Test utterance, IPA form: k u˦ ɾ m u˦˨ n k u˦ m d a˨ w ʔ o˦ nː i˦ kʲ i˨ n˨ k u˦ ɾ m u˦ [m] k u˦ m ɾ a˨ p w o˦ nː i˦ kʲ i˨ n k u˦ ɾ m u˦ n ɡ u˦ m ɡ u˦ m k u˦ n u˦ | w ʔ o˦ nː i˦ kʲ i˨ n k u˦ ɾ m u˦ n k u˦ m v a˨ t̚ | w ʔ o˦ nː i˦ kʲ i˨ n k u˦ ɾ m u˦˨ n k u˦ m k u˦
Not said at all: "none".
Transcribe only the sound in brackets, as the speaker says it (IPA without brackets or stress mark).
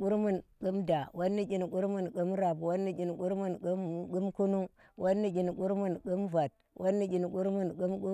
n